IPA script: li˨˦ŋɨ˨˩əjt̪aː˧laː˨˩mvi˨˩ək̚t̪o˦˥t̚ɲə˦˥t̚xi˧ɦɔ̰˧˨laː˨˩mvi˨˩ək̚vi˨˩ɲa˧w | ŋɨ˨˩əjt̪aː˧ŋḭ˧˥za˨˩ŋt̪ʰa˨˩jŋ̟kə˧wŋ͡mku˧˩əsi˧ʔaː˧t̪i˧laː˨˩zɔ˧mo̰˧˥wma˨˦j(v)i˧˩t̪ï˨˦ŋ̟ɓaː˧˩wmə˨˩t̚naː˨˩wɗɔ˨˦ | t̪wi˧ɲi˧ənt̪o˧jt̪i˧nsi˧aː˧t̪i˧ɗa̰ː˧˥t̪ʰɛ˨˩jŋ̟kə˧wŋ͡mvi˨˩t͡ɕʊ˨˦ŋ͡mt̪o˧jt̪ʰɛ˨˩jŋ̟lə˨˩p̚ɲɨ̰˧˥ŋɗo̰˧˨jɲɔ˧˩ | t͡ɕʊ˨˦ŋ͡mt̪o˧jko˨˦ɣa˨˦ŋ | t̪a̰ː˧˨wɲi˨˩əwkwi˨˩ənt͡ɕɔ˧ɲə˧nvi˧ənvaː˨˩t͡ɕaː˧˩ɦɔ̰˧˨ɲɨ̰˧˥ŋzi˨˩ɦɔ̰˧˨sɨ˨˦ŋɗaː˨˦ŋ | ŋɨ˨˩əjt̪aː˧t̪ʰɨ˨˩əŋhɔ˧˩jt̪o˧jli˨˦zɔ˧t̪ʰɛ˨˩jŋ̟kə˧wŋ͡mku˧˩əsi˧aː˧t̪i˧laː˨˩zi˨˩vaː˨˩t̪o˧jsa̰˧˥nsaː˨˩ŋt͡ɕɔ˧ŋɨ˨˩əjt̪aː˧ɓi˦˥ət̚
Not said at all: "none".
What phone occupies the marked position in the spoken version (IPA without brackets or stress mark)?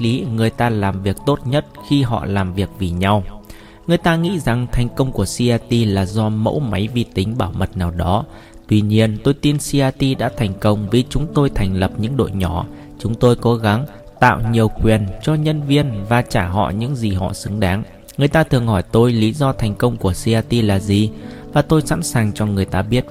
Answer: v